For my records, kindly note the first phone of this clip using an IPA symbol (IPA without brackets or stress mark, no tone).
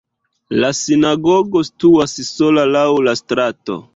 l